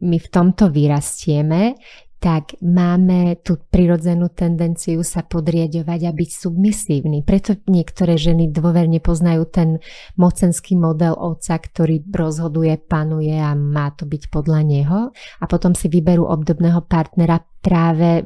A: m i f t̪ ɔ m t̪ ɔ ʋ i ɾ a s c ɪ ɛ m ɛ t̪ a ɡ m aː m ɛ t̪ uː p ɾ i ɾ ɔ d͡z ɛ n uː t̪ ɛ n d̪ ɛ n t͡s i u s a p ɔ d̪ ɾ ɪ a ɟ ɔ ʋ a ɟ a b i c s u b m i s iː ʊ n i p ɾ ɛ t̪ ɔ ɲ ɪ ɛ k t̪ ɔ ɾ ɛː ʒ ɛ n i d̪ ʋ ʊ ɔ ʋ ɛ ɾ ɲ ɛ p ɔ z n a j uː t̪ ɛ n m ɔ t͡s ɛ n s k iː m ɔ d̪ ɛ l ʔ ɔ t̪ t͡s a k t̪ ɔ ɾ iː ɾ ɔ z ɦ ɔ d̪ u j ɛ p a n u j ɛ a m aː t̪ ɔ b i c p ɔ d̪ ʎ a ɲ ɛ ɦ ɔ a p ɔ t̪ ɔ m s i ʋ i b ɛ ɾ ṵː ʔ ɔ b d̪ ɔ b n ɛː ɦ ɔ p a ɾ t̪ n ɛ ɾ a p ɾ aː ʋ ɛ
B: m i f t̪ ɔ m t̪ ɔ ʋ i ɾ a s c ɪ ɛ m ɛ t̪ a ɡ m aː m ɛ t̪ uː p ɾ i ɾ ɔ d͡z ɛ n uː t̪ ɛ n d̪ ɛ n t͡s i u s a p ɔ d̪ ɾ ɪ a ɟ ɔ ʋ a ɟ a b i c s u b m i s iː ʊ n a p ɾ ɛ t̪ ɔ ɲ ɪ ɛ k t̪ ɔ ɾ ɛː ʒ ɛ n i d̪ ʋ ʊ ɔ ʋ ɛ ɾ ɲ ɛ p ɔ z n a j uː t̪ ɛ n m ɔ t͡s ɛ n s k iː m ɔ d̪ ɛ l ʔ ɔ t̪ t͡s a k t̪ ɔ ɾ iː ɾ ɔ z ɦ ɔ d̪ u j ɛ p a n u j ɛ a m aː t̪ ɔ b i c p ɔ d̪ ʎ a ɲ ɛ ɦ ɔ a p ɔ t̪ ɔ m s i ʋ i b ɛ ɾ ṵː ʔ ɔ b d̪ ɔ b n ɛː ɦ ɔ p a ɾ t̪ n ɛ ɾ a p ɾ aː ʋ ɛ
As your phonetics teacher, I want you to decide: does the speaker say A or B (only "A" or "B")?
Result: A